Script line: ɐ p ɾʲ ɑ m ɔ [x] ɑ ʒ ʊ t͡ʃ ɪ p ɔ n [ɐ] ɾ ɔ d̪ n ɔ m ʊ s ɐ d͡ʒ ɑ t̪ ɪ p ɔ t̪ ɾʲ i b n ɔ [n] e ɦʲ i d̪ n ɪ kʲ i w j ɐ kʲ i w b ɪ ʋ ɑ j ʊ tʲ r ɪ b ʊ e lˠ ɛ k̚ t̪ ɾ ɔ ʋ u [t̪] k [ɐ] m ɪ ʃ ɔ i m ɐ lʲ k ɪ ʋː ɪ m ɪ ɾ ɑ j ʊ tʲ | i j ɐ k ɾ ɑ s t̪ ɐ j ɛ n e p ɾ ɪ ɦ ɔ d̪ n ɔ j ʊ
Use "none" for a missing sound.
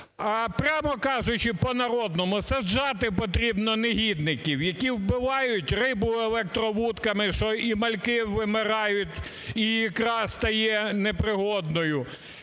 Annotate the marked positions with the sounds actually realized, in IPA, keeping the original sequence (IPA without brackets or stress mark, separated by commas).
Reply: k, ɐ, n, t̪, ɐ